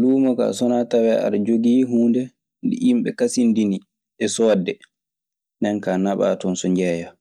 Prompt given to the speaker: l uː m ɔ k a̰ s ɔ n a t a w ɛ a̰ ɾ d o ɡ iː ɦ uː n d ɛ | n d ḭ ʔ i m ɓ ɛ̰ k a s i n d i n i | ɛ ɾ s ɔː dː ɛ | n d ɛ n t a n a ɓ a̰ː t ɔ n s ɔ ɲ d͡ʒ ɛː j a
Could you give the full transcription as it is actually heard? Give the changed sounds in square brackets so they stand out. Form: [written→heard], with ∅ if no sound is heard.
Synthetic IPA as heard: l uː m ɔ k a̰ s ɔ n a t a w ɛ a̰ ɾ [d→d͡ʒ] o ɡ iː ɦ uː n d ɛ | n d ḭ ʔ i m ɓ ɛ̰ k a s i n d i n i | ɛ [ɾ→∅] s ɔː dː ɛ | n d ɛ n [t→k] a n a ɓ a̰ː t ɔ n s ɔ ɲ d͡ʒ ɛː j a